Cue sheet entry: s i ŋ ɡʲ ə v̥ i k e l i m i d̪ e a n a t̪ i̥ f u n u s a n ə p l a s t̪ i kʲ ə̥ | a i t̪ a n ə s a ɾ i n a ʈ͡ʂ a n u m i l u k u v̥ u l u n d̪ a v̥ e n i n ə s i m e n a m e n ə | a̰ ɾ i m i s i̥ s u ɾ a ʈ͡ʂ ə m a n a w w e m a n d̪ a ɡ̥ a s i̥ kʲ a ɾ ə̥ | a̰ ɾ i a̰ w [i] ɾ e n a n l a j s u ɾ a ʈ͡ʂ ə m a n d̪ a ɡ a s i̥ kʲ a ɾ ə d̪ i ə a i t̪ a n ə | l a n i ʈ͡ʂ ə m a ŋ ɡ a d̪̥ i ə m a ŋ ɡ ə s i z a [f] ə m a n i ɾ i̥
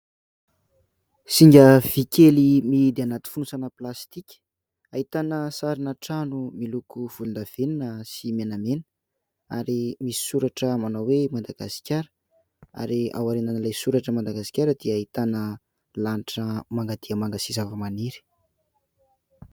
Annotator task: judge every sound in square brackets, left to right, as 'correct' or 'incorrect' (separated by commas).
incorrect, incorrect